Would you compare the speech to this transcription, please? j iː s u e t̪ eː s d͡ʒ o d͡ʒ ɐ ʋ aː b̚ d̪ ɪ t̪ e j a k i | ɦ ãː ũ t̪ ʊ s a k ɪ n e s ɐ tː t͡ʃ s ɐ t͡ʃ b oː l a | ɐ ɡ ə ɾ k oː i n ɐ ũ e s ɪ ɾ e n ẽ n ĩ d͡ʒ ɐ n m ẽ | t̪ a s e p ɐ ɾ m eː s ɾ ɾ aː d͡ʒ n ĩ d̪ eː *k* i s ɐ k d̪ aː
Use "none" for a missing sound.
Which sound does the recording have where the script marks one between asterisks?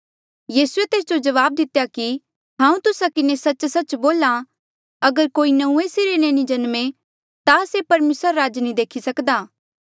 kʰ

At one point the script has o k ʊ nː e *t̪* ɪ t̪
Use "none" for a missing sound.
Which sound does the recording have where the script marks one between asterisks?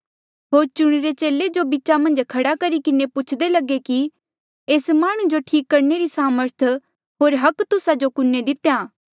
d̪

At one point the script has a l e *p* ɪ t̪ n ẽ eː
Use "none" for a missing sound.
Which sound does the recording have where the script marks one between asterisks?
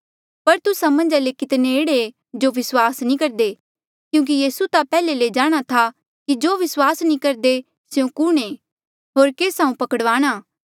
k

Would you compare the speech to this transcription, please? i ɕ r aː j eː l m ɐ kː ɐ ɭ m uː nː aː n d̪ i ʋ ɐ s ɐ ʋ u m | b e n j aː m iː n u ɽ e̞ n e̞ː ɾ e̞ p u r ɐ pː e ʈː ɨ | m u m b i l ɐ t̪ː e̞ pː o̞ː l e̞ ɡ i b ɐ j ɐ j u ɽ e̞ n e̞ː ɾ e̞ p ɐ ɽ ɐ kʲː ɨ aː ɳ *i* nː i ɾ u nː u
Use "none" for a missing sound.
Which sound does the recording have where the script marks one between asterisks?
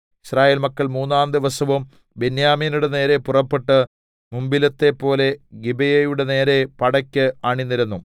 i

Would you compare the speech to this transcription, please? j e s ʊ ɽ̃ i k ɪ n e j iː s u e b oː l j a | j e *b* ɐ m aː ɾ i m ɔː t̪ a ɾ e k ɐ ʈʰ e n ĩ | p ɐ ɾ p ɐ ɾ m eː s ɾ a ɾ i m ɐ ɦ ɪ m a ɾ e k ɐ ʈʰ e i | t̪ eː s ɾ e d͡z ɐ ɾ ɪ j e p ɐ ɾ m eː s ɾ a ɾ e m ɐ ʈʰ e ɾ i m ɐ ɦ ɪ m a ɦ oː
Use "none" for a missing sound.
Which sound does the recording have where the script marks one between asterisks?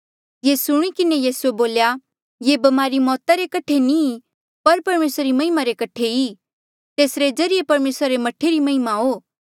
b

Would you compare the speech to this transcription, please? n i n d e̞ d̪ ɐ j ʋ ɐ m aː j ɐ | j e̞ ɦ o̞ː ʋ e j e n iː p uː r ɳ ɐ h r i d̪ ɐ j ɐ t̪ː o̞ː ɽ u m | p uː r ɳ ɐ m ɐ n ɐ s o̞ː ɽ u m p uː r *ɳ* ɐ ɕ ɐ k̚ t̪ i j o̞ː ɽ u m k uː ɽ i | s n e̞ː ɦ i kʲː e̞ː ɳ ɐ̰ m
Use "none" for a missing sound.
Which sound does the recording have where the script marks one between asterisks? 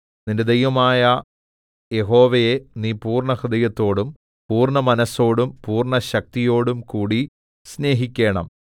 ɳ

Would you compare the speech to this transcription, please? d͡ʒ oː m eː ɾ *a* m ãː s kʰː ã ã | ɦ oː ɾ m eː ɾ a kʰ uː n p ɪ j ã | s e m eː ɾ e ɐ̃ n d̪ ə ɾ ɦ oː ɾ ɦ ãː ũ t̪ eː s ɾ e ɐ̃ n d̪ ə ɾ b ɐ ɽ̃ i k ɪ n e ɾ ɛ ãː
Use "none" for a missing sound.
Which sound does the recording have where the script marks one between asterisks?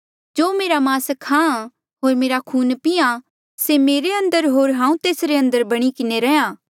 a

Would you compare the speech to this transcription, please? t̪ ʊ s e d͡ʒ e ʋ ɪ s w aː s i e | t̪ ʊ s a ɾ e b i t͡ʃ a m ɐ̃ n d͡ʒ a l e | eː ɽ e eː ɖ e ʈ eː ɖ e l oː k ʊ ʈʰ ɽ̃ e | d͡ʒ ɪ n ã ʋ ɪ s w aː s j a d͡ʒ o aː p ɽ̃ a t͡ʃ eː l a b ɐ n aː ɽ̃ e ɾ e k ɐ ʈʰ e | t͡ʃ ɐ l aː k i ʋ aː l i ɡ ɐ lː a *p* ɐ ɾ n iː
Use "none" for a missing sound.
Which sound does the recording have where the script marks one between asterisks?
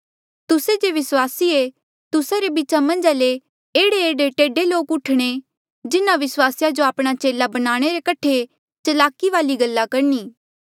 k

